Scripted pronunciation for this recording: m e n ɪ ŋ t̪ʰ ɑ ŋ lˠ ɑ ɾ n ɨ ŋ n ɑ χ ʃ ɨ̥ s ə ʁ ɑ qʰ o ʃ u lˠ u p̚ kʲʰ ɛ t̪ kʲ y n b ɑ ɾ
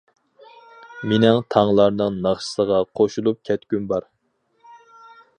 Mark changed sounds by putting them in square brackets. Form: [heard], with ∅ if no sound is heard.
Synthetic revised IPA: m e n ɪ ŋ t̪ʰ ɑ ŋ lˠ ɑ ɾ n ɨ ŋ n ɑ χ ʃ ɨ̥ s ə ʁ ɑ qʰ o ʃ u lˠ u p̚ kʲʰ ɛ t̪ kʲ y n b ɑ ɾ